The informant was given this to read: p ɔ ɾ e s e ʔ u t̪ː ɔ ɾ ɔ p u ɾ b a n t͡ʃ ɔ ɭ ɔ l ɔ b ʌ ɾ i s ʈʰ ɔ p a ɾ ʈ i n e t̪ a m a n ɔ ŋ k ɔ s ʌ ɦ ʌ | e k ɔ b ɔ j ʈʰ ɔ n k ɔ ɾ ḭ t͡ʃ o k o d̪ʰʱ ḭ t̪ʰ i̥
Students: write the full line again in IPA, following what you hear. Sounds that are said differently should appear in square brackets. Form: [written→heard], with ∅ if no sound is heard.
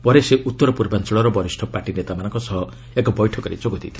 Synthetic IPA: p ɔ ɾ e s e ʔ u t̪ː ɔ ɾ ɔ p u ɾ b a n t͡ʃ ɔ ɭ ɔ [l→ɾ] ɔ b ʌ ɾ i s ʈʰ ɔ p a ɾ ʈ i n e t̪ a m a n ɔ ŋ k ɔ s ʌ ɦ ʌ | e k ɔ b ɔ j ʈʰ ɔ [n→∅] k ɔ ɾ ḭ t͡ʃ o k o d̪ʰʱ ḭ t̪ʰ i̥